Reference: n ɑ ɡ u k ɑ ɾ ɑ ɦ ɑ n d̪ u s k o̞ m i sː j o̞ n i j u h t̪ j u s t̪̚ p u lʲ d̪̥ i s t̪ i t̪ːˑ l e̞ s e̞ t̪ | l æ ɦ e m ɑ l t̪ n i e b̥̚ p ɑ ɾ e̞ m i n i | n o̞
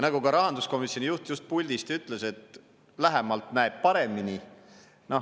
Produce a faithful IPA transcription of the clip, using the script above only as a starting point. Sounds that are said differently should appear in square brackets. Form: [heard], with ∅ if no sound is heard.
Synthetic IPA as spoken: n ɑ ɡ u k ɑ ɾ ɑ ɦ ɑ n d̪ u s k o̞ m i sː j o̞ n i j u h t̪ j u s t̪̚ p u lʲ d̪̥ i s t̪ [y] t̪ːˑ l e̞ s e̞ t̪ | l æ ɦ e m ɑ l t̪ n [æ] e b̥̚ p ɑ ɾ e̞ m i n i | n o̞